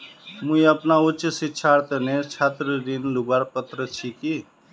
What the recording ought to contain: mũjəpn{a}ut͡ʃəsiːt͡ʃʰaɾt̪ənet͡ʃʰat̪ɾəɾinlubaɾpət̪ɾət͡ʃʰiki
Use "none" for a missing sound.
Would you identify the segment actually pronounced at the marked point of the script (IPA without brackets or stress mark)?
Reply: a